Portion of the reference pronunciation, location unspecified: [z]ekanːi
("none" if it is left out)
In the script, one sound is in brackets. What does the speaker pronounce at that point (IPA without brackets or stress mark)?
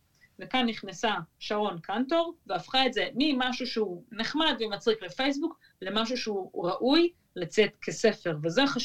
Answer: v